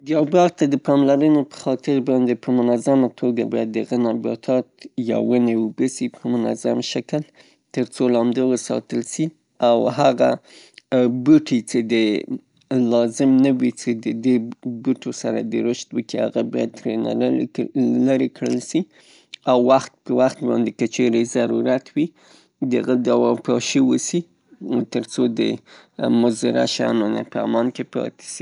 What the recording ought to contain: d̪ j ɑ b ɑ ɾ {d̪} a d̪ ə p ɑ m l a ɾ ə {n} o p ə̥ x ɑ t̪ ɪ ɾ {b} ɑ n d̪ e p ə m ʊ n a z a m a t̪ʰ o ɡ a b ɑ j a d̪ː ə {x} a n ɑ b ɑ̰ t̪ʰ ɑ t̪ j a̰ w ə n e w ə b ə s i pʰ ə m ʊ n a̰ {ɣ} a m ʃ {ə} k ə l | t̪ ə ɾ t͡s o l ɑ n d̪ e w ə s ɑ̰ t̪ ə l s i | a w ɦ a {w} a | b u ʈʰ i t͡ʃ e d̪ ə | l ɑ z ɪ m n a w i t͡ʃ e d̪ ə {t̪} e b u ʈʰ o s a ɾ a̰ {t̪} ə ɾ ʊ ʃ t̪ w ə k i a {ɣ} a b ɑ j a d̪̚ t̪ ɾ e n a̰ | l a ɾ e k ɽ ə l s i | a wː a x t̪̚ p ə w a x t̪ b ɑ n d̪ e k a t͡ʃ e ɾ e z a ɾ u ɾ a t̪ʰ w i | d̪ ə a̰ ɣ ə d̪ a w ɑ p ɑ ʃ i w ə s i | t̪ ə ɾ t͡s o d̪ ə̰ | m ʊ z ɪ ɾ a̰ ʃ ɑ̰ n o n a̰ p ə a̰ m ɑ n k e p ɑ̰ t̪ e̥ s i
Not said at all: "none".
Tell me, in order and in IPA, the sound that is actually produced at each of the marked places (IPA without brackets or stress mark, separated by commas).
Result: t̪, n, b, ɣ, z, a, ɣ, d̪, d̪, ɣ